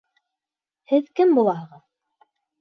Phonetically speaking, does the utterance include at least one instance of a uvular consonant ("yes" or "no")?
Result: yes